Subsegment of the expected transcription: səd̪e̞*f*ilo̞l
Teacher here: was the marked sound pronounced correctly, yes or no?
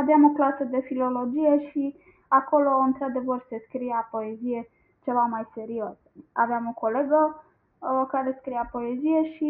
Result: yes